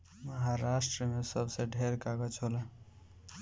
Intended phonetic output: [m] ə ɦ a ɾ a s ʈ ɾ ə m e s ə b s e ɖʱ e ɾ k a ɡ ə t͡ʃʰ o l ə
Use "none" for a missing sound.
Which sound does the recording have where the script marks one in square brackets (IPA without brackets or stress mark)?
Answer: m